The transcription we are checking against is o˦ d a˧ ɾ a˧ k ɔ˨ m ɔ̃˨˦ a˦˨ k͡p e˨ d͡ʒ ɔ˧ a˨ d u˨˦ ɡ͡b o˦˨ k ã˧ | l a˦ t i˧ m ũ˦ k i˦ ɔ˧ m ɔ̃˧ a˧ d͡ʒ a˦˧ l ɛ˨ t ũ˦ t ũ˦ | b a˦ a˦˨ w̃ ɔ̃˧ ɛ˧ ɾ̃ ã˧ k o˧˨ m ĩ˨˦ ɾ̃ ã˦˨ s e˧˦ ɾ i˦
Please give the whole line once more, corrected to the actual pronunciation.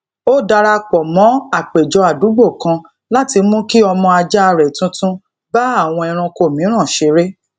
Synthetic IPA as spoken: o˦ d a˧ ɾ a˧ k͡p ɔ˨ m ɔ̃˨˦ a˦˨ k͡p e˨ d͡ʒ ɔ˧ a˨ d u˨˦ ɡ͡b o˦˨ k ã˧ | l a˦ t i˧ m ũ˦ k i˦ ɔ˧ m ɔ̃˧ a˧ d͡ʒ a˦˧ ɾ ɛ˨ t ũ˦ t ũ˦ | b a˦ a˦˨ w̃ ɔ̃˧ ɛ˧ ɾ̃ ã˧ k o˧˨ m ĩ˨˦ ɾ̃ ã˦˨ ʃ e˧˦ ɾ e˦